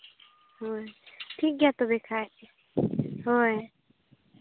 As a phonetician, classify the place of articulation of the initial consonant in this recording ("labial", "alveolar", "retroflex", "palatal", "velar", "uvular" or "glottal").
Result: glottal